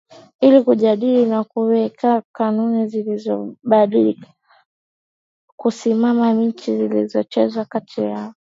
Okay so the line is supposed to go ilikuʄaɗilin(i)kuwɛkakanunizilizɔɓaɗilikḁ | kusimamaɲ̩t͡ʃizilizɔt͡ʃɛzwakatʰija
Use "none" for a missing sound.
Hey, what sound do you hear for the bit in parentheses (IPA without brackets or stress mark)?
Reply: a